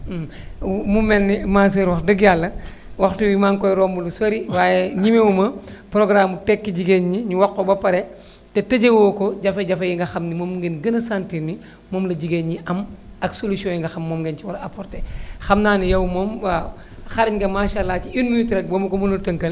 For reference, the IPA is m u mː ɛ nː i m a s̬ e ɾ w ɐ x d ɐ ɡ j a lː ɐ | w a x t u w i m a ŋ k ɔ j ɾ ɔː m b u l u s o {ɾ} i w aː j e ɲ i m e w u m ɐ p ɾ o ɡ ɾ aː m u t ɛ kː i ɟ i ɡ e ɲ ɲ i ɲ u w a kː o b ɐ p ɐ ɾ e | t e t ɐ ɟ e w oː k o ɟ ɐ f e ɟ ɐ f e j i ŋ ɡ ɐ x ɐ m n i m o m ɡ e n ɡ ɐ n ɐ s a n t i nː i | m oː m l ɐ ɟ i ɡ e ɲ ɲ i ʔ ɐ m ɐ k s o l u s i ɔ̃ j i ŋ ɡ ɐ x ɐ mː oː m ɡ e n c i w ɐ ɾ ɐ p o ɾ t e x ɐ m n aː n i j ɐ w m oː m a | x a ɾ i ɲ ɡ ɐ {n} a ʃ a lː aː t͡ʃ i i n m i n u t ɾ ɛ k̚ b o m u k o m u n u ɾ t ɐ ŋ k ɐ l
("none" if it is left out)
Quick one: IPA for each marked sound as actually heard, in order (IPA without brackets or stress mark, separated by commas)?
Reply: ɾ, m